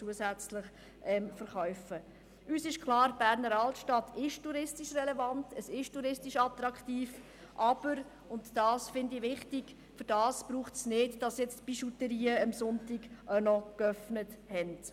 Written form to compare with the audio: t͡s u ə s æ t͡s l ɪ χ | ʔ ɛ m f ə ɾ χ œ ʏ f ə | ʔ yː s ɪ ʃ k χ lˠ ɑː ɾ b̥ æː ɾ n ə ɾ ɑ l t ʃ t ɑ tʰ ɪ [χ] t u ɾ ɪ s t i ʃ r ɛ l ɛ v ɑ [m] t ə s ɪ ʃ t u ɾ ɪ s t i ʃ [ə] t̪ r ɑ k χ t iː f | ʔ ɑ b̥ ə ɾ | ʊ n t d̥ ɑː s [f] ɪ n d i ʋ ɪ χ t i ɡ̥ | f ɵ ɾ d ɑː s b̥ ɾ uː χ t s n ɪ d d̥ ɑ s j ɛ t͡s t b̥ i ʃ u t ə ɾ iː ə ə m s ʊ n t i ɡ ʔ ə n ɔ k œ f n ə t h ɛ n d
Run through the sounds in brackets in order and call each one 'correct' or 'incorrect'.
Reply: incorrect: ʃ, incorrect: n, incorrect: ɑ, correct

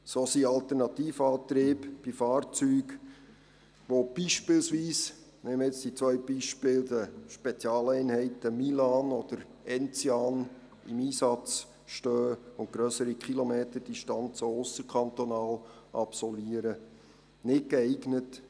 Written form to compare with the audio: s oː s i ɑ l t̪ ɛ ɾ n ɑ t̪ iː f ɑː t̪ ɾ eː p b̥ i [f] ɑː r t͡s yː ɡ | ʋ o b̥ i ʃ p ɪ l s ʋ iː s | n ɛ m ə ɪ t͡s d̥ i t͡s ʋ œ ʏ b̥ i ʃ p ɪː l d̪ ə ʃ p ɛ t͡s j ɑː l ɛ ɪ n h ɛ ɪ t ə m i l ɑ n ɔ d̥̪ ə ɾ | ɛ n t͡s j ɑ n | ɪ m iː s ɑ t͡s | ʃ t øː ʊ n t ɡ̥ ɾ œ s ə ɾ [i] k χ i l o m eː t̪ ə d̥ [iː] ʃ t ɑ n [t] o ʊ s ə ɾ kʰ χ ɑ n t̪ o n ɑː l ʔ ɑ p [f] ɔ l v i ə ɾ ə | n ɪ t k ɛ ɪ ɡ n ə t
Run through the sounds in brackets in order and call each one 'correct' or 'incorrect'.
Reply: correct, correct, incorrect: i, incorrect: t͡s, incorrect: s

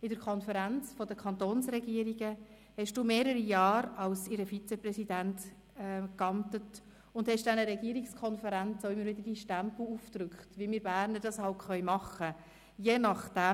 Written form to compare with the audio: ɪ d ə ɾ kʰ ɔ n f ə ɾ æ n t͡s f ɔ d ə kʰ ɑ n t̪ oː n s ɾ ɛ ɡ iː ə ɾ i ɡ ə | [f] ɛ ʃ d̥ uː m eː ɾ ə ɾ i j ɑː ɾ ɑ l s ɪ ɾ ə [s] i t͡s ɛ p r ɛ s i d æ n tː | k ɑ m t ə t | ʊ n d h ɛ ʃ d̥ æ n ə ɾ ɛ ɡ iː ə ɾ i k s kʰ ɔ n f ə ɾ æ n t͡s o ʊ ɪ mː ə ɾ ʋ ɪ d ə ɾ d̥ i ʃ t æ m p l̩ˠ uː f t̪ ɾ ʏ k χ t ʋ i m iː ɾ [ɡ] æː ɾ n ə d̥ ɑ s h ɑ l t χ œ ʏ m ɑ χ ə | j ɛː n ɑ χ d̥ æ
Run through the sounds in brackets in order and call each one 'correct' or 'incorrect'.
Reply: incorrect: h, incorrect: f, incorrect: b

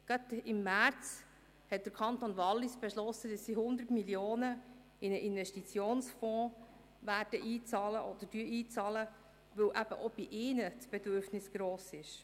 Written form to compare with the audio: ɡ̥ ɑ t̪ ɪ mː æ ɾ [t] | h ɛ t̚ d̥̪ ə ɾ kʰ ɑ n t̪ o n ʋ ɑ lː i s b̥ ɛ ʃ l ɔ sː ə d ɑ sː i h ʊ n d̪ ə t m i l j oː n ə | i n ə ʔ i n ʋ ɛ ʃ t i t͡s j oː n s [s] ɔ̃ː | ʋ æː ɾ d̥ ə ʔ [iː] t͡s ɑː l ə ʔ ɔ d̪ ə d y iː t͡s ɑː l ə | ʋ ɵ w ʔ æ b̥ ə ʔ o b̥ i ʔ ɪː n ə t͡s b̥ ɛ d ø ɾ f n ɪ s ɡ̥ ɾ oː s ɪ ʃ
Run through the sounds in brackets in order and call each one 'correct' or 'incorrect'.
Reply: incorrect: t͡s, incorrect: f, correct

